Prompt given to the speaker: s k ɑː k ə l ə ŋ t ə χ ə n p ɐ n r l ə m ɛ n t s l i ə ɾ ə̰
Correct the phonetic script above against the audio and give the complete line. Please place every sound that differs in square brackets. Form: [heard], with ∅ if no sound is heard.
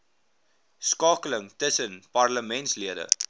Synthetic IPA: s k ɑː k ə l ə ŋ t ə [s] ə n p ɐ [∅] r l ə m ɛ n t s l i ə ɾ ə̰